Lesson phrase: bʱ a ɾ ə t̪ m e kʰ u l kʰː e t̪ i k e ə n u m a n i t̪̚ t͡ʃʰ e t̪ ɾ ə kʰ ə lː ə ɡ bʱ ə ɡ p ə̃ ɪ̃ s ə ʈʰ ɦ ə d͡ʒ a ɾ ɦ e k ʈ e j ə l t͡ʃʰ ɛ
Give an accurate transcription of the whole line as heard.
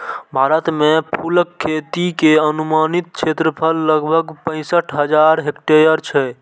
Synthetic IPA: bʱ a ɾ ə t̪ m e pʰ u l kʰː e t̪ i k e ə n u m a n i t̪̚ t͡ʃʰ e t̪ ɾ ə pʰ ə lː ə ɡ bʱ ə ɡ p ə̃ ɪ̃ s ə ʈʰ ɦ ə d͡ʒ a ɾ ɦ e k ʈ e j ə ɾ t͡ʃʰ ɛ